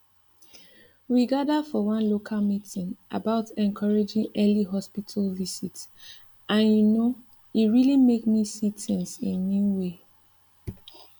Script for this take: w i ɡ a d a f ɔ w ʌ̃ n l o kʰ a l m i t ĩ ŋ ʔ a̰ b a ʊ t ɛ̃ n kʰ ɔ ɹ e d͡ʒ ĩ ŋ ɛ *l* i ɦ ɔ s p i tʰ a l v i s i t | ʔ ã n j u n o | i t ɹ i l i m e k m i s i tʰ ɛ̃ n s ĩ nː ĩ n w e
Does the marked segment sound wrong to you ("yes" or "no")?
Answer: no